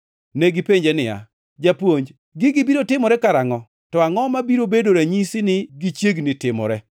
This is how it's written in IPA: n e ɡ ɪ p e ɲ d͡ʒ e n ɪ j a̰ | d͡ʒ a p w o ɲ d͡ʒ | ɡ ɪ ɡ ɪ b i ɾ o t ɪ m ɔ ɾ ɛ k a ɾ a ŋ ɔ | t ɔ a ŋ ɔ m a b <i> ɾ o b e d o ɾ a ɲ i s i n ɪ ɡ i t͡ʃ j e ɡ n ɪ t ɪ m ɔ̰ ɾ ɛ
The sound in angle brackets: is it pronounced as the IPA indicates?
yes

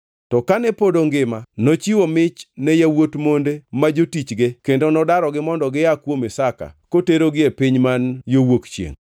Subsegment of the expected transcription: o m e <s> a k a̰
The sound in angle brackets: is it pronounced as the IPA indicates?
yes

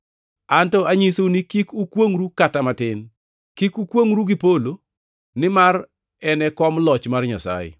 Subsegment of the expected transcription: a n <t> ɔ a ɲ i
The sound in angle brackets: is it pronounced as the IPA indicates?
yes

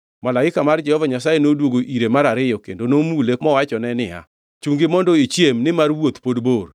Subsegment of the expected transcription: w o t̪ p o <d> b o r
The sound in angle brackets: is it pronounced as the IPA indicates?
yes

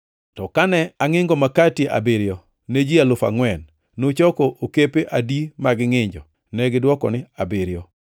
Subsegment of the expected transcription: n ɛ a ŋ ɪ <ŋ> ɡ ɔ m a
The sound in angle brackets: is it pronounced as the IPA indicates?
yes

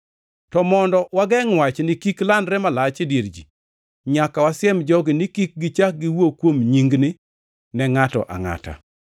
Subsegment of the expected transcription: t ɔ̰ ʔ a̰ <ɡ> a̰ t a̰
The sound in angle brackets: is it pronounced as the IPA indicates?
no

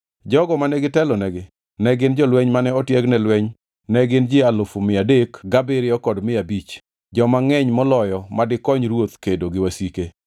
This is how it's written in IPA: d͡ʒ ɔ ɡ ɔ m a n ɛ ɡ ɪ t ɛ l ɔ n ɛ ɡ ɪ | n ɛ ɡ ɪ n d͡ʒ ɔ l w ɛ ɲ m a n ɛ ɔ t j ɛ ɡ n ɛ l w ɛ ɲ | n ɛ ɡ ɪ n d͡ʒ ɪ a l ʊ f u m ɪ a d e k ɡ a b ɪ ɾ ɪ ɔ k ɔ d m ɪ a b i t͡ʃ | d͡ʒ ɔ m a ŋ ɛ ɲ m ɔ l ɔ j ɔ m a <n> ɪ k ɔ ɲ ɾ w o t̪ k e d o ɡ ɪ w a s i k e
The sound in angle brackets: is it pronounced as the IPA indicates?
no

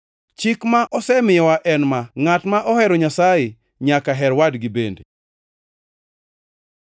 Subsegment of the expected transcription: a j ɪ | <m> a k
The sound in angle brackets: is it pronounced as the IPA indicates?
no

